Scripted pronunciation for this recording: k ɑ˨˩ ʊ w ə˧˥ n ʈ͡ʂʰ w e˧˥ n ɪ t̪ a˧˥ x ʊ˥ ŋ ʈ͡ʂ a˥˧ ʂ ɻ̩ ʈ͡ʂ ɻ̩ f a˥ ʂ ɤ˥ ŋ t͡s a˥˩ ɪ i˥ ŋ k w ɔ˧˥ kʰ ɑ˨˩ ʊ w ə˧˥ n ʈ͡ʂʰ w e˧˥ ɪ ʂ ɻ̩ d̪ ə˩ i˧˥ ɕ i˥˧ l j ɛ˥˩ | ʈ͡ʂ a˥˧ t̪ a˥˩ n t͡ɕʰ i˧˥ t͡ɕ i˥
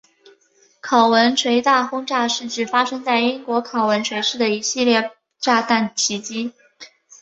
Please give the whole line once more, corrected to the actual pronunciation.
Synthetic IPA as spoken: kʰ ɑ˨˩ ʊ w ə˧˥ n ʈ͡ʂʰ w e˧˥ ɪ t̪ a˥˩ x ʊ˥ ŋ ʈ͡ʂ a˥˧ ʂ ɻ̩ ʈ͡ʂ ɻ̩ f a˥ ʂ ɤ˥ ŋ t͡s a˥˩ ɪ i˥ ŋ k w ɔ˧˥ kʰ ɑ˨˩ ʊ w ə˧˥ n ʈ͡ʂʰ w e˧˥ ɪ ʂ ɻ̩ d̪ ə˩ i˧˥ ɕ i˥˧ l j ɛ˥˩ | ʈ͡ʂ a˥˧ t̪ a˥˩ n t͡ɕʰ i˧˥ t͡ɕ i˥